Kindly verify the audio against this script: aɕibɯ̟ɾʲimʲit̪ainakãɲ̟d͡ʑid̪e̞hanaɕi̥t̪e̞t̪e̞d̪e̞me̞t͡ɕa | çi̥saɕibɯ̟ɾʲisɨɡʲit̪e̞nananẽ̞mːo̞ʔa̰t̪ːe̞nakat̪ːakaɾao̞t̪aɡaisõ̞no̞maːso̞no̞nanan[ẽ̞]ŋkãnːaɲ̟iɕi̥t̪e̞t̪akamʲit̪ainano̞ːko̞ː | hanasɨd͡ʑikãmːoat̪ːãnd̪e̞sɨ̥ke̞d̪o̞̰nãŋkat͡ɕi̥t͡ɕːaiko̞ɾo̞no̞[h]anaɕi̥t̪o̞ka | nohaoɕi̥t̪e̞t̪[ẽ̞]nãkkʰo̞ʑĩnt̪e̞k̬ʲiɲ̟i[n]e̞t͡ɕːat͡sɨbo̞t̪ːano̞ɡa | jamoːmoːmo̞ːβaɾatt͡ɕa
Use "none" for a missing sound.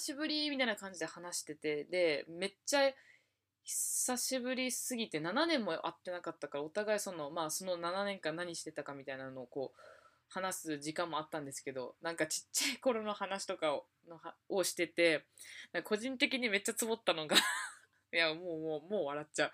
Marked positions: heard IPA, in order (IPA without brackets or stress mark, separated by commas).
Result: ẽ̞, h, e̞, m